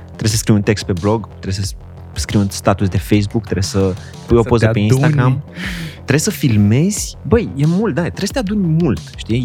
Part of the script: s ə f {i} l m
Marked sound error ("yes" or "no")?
no